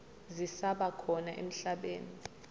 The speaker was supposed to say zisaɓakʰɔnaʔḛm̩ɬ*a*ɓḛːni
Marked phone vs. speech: correct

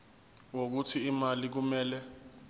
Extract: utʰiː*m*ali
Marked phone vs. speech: correct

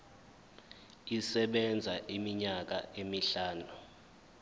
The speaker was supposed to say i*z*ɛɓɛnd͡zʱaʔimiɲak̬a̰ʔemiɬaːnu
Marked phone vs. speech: incorrect: s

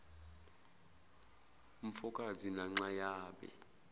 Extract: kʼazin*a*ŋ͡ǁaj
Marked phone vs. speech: correct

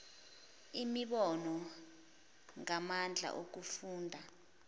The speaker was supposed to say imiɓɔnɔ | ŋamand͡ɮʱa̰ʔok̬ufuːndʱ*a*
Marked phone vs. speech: correct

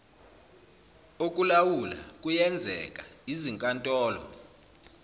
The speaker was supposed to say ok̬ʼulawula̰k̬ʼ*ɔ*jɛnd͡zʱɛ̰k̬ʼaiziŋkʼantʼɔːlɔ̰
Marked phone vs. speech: incorrect: u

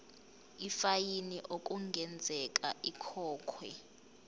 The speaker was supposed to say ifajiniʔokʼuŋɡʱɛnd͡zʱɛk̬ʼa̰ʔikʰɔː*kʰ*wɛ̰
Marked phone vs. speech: correct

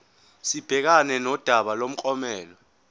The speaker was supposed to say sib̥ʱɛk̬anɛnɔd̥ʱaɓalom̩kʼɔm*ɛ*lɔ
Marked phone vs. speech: incorrect: ɛː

